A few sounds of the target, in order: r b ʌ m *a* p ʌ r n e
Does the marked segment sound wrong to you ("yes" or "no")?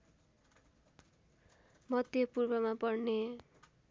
no